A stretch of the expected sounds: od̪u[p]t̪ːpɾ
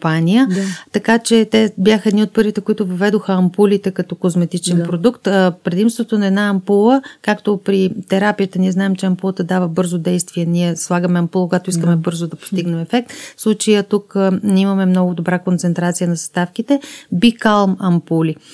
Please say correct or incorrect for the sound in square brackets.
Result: incorrect